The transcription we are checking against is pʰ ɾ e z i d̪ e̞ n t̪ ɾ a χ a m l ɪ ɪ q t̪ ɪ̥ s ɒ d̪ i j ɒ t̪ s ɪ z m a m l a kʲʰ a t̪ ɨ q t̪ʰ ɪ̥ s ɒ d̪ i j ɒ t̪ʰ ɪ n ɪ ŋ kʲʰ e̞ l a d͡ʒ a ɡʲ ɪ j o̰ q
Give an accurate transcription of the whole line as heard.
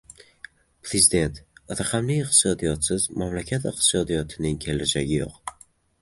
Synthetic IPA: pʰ ɾ e z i d̪ e̞ n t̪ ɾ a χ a m l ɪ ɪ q t̪ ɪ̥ s ɒ d̪ i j ɒ t̪ s ɪ z m a m l a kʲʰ a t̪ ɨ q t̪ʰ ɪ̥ s ɒ d̪ i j ɒ t̪ʰ ɪ n ɪ ŋ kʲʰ e̞ l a d͡ʒ a ɡʲ ɪ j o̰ q

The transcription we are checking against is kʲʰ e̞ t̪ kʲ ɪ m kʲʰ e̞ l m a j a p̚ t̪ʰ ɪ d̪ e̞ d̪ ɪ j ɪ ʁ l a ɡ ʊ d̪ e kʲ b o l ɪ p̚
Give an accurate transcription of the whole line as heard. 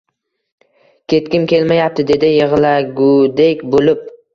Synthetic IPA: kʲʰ e̞ t̪ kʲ ɪ m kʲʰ e̞ l m a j a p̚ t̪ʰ ɪ d̪ e̞ d̪ ɪ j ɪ ʁ l a ɡ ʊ d̪ e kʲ b o l ɪ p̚

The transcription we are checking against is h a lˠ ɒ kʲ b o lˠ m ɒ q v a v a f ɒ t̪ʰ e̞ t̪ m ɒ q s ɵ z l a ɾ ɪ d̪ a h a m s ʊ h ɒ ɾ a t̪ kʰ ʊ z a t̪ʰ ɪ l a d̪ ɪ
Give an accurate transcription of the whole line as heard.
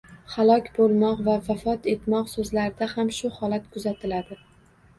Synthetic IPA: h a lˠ ɒ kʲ b o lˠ m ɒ q v a v a f ɒ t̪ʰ e̞ t̪ m ɒ q s ɵ z l a ɾ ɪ d̪ a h a m ʃ ʊ h ɒ l a t̪ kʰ ʊ z a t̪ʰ ɪ l a d̪ ɪ

